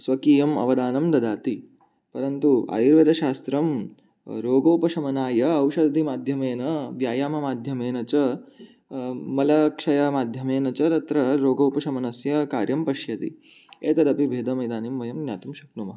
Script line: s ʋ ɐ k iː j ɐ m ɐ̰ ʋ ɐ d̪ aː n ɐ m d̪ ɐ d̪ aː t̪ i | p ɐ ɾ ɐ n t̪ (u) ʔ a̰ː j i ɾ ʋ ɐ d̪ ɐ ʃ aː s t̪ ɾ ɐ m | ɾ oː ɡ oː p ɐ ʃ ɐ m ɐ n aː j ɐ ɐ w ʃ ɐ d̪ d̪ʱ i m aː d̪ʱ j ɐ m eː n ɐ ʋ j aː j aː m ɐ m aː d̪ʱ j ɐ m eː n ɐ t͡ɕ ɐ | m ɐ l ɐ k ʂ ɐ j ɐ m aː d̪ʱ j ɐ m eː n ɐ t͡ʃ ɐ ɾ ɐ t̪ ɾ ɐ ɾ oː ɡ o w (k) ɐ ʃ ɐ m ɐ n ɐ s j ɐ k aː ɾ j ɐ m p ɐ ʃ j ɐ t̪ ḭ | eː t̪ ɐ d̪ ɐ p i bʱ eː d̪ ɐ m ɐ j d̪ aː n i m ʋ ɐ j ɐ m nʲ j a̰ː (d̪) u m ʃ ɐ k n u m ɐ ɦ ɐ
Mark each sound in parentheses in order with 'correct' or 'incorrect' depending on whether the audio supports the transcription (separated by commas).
correct, incorrect, incorrect